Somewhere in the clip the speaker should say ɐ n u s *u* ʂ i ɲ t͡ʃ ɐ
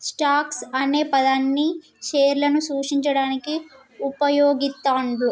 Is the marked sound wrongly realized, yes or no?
yes